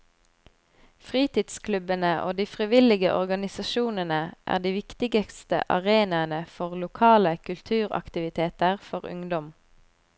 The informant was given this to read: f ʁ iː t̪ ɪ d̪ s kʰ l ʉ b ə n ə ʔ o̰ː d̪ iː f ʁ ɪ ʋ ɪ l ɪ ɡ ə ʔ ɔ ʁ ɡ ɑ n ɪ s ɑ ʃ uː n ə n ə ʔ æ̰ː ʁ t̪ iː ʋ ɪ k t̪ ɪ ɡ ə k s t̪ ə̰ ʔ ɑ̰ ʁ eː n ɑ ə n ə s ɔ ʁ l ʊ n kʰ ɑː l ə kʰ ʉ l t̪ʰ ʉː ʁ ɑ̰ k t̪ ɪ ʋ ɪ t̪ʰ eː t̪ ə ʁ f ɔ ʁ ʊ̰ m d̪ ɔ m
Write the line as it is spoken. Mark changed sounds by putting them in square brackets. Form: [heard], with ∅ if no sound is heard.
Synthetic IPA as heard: f ʁ iː t̪ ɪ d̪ s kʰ l ʉ b ə n ə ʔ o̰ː d̪ iː f ʁ ɪ ʋ ɪ l ɪ ɡ ə ʔ ɔ ʁ ɡ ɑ n ɪ s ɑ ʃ uː n ə n ə ʔ æ̰ː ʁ [d̪] iː ʋ ɪ k t̪ ɪ ɡ ə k s t̪ ə̰ ʔ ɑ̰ ʁ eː n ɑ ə n ə [f] ɔ ʁ l ʊ [∅] kʰ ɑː l ə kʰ ʉ l t̪ʰ ʉː ʁ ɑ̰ k t̪ ɪ ʋ ɪ t̪ʰ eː t̪ ə ʁ f ɔ ʁ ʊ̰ [ŋ] d̪ ɔ m